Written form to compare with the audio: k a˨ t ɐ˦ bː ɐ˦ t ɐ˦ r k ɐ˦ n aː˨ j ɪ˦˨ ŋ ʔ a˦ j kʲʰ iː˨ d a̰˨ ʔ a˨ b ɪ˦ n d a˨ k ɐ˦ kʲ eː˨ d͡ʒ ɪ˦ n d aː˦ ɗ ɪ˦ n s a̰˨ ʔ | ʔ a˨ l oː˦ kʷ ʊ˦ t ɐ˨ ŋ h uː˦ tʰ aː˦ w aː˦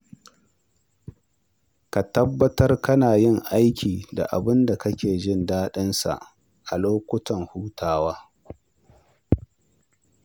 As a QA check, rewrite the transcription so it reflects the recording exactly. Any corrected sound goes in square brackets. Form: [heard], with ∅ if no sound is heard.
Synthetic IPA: k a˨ t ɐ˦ bː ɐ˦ t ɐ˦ r k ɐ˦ n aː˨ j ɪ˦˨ ŋ ʔ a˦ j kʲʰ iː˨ d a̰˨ ʔ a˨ b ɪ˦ n d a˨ k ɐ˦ kʲ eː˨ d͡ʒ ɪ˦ n d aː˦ ɗ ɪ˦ n s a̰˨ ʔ | ʔ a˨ l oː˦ kʷ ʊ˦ t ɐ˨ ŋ h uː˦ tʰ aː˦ w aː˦